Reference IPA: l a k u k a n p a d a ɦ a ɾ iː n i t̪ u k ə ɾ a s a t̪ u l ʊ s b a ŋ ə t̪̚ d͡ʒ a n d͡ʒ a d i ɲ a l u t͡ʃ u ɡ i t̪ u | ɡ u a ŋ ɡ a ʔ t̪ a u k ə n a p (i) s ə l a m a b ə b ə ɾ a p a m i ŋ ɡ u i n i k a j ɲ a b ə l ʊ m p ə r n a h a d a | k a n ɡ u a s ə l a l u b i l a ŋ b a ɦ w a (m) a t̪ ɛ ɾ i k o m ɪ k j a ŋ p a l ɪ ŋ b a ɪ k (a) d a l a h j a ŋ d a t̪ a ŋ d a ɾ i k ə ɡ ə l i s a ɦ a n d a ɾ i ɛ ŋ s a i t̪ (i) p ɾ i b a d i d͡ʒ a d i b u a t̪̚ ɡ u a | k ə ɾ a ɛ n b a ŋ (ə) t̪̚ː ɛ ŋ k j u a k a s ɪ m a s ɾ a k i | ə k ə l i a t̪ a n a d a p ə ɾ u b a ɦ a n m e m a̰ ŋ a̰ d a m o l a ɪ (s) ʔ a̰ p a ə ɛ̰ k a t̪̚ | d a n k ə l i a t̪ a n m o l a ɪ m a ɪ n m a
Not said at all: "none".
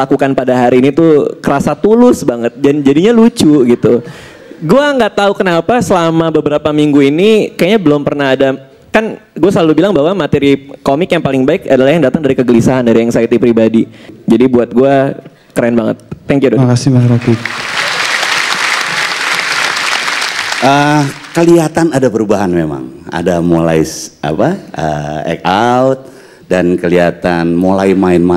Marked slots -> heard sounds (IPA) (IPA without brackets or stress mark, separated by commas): a, m, a, i, ə, s